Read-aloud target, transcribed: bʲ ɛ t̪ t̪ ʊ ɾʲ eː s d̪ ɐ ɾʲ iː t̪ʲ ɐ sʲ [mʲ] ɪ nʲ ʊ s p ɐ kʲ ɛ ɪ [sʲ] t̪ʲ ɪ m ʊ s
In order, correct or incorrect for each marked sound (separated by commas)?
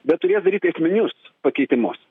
correct, incorrect